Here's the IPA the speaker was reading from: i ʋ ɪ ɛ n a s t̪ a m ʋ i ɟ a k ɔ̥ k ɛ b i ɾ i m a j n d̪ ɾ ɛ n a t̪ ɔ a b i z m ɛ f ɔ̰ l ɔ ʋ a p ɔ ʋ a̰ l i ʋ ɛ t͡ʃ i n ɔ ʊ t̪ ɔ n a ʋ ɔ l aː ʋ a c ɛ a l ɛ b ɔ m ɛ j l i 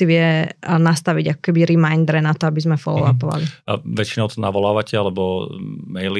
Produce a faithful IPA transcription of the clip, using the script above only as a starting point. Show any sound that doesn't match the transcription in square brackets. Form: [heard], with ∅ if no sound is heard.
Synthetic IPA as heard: i ʋ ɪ ɛ n a s t̪ a [∅] ʋ i ɟ a k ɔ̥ k ɛ b i ɾ i m a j n d̪ ɾ ɛ n a t̪ ɔ a b i z m ɛ f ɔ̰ l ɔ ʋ a p ɔ ʋ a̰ l i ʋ ɛ t͡ʃ i n ɔ ʊ t̪ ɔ n a ʋ ɔ l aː ʋ a c ɛ a l ɛ b ɔ m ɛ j l i